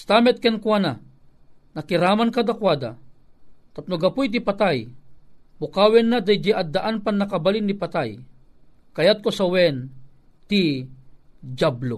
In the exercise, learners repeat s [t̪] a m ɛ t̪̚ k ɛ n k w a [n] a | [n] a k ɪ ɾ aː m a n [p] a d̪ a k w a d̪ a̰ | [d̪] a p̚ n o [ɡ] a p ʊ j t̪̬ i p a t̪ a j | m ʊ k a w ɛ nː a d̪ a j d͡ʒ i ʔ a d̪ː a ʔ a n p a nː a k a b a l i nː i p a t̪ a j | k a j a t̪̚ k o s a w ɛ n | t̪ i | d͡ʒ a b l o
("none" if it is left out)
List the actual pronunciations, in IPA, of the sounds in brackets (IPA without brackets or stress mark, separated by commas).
t̪, n, n, k, t̪, ɡ